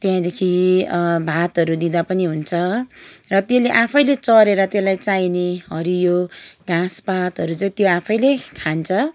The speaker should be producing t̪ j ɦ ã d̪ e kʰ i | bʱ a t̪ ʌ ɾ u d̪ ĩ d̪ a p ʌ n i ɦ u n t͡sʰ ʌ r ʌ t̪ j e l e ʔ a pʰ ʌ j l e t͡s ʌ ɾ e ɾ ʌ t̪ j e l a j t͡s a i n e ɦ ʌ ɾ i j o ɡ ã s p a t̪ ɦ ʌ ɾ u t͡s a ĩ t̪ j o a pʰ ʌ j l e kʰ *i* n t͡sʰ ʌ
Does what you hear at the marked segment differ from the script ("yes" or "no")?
yes